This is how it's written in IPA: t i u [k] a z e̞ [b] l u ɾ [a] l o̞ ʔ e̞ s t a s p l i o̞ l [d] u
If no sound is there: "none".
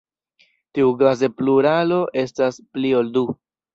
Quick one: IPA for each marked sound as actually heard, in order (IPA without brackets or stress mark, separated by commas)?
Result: ɡ, p, a, d